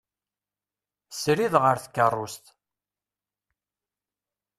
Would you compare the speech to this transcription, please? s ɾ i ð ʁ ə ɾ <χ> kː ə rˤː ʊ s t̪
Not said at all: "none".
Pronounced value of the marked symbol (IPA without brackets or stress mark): θ